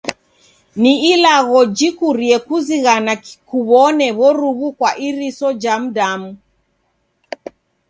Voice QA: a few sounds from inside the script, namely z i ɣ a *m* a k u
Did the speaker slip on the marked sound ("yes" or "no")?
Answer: yes